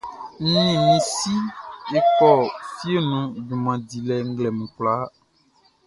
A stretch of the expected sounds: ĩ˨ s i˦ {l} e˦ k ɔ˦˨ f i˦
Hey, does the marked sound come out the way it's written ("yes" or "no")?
no